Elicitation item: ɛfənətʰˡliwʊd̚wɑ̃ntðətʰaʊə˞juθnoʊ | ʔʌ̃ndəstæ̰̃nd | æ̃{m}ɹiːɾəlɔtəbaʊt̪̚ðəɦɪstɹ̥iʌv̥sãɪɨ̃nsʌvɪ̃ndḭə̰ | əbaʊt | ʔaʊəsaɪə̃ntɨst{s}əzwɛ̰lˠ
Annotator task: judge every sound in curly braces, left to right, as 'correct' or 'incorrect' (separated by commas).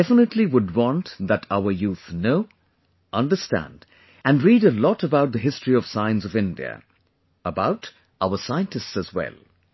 incorrect, correct